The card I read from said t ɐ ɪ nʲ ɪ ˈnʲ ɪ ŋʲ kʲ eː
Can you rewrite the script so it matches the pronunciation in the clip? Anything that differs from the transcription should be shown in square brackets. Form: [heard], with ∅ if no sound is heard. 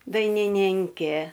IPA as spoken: [d] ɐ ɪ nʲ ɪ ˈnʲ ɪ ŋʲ kʲ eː